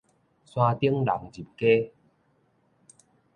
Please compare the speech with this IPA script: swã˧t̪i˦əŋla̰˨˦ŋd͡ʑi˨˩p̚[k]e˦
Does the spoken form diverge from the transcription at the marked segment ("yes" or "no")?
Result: no